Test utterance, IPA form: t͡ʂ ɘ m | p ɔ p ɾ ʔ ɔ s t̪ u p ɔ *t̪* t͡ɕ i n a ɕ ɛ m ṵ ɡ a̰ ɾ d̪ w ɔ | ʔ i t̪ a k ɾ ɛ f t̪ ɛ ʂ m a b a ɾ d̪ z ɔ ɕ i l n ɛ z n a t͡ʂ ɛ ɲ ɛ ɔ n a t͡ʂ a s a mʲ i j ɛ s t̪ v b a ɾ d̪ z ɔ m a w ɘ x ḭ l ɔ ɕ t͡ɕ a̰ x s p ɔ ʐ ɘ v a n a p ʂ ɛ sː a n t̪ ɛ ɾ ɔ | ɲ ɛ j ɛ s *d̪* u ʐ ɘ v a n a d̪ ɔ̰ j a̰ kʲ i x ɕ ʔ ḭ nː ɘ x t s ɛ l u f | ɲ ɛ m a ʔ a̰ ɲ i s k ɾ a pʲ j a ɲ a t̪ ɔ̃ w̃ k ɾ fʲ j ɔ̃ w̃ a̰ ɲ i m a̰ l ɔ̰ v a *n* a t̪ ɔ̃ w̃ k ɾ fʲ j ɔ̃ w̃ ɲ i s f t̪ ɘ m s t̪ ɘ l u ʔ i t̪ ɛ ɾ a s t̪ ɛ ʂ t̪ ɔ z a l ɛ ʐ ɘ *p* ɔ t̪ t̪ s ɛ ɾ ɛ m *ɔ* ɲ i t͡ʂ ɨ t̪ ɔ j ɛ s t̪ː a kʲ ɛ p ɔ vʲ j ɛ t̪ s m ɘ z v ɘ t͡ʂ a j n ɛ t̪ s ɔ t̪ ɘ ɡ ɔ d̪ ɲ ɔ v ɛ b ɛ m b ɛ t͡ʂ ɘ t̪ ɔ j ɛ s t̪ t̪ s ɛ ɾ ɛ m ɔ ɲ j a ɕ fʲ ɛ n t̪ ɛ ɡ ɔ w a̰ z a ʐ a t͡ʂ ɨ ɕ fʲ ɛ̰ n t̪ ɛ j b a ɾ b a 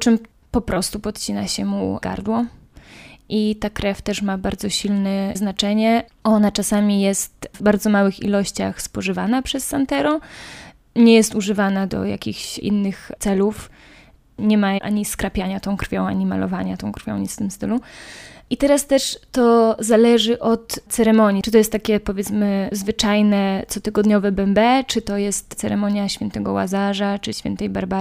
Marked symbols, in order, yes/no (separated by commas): yes, no, no, no, yes